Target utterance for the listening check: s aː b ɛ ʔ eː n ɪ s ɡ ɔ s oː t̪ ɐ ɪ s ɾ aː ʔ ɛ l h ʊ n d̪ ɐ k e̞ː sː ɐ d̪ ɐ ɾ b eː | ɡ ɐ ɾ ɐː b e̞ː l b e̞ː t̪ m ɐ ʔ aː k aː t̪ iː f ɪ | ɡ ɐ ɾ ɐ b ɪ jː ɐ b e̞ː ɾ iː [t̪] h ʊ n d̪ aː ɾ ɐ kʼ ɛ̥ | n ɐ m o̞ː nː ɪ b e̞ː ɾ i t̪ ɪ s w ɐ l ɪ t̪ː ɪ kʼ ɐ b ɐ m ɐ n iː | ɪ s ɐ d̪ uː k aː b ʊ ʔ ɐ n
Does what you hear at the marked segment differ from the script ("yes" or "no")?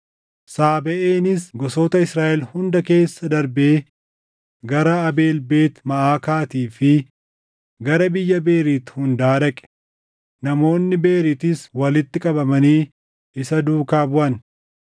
no